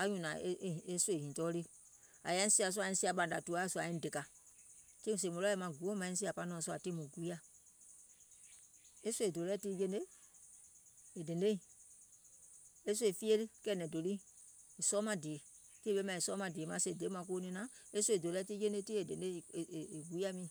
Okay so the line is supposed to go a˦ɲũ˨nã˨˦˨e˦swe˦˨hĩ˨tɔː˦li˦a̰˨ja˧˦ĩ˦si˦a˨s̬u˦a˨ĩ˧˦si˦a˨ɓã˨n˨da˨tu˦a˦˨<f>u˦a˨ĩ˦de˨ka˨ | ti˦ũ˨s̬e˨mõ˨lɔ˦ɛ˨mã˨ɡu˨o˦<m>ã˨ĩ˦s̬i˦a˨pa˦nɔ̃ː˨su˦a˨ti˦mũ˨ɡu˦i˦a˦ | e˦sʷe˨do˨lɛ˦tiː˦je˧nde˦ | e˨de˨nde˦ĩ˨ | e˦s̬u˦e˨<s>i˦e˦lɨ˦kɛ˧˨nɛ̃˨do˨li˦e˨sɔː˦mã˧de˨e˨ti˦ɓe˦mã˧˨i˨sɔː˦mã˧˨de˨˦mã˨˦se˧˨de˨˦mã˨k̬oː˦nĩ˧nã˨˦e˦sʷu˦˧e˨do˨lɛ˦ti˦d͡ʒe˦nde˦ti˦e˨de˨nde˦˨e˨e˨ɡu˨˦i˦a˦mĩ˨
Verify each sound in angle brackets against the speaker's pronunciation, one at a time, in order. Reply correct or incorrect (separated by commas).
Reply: incorrect, correct, incorrect